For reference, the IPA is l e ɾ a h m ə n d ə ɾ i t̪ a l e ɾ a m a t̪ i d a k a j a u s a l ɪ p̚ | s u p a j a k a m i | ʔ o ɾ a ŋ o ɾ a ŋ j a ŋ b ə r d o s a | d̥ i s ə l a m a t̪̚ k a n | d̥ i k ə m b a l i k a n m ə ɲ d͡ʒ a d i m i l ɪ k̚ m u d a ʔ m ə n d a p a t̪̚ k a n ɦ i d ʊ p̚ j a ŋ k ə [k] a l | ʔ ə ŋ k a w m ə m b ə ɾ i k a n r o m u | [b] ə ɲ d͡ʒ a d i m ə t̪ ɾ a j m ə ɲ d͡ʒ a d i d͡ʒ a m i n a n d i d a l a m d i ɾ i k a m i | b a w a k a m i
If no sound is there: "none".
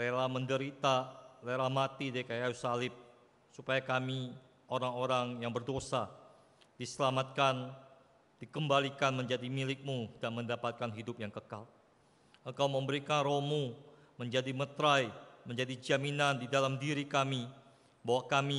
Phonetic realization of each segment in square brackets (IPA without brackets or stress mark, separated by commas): k, m